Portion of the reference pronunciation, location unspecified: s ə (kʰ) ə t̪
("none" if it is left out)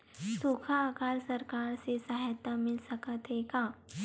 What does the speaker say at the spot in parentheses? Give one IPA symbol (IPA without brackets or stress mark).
k